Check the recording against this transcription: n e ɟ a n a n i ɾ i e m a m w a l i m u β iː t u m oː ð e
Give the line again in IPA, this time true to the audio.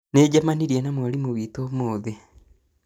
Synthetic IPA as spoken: n e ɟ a m a n i ɾ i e n a m w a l i m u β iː t o m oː ð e